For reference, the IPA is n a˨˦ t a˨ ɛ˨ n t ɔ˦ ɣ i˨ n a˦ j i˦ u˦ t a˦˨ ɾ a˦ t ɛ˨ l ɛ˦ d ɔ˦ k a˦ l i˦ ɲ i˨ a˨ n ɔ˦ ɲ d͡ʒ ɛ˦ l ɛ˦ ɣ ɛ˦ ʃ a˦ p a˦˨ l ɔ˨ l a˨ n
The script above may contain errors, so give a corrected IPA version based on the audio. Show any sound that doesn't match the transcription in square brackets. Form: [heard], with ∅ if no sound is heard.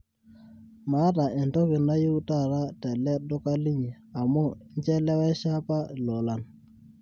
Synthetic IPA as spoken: [m] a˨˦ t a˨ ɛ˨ n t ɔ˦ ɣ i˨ n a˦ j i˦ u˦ t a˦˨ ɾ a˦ t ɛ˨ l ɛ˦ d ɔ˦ k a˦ l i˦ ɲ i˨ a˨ [m] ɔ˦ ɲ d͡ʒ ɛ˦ l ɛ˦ [w] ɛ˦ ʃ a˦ p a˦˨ l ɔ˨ l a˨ n